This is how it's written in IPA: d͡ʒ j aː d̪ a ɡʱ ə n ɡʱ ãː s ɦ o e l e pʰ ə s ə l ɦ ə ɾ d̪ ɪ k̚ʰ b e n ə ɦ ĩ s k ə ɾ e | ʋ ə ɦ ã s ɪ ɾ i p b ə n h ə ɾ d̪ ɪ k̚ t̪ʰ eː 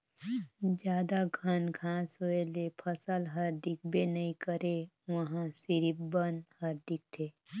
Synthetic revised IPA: d͡ʒ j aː d̪ a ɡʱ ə n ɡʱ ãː s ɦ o e l e pʰ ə s ə l ɦ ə ɾ d̪ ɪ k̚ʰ b e n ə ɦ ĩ k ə ɾ e | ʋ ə ɦ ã s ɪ ɾ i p b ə n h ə ɾ d̪ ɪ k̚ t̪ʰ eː